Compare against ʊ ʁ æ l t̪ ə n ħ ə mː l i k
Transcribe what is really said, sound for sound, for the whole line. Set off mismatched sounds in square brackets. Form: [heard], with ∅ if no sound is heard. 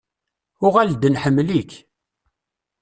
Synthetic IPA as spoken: ʊ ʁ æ l [d̪] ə n ħ ə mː l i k